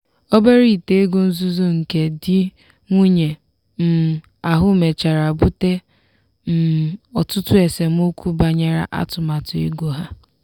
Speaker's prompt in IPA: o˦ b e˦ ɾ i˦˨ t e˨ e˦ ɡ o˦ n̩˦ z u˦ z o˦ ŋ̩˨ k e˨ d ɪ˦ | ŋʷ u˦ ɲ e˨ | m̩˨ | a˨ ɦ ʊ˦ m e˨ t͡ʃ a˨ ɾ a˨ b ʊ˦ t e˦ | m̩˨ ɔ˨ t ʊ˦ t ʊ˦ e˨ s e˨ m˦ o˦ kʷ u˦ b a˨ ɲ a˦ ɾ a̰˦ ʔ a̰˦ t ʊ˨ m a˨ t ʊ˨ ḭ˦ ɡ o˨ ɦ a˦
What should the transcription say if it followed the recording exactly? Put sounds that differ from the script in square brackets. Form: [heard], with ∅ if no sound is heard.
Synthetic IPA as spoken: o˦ b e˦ ɾ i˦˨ t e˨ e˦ ɡ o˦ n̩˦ z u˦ z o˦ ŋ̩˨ k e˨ d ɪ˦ | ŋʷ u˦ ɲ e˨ | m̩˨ | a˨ ɦ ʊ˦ m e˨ t͡ʃ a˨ ɾ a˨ b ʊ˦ t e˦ | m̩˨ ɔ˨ t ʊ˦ t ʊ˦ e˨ s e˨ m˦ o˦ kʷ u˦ b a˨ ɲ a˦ ɾ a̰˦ ʔ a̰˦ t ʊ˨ m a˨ t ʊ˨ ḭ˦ ɡ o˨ ɦ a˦